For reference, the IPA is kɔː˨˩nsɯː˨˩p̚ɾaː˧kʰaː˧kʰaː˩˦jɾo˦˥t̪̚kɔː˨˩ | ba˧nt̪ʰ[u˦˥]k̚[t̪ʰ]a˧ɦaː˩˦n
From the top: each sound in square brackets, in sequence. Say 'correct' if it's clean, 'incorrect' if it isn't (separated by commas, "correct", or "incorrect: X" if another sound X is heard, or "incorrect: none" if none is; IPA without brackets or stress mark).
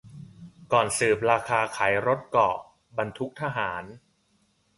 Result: correct, correct